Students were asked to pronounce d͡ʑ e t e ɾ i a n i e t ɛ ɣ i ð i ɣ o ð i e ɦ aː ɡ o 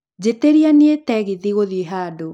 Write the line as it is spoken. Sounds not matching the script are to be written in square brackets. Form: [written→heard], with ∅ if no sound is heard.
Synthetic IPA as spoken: d͡ʑ e t e ɾ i a n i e t ɛ ɣ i ð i ɣ o ð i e ɦ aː [ɡ→d] o